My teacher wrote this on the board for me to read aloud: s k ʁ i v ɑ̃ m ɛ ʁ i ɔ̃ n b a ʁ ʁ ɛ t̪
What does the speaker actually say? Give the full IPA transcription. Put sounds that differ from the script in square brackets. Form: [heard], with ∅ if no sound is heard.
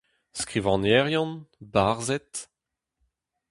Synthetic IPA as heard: s k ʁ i v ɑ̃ [n] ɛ ʁ [j] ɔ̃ n b a ʁ [z] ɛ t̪